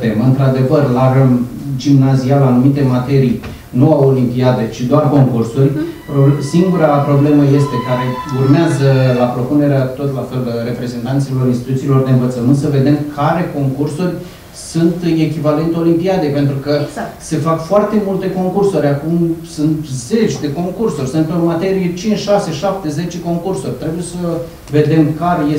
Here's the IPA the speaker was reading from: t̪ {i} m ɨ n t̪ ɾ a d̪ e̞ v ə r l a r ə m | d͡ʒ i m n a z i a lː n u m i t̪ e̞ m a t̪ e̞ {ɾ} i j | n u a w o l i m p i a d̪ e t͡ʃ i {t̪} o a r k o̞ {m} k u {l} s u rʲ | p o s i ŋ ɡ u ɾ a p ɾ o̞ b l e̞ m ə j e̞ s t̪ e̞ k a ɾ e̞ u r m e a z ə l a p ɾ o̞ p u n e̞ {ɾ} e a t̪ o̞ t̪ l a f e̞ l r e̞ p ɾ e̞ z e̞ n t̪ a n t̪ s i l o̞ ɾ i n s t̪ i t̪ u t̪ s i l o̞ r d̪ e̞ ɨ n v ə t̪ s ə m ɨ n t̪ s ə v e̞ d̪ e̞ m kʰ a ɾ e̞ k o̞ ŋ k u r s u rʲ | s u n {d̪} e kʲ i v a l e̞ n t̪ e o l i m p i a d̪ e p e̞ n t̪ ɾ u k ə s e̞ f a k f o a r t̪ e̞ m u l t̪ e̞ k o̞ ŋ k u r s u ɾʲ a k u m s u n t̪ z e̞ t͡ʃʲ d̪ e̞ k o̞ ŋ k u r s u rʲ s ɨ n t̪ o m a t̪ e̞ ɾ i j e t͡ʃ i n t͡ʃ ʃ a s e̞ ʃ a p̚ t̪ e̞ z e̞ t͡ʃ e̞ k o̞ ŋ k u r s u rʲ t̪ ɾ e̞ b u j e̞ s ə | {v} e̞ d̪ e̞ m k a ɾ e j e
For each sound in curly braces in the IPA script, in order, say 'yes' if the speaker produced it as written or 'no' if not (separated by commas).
no, yes, no, no, no, yes, no, yes